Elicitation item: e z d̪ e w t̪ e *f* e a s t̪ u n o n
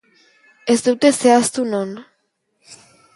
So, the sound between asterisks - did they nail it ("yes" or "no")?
no